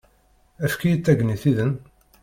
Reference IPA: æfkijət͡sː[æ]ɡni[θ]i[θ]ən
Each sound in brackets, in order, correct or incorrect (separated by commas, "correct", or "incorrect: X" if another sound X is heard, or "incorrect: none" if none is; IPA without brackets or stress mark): correct, correct, incorrect: ð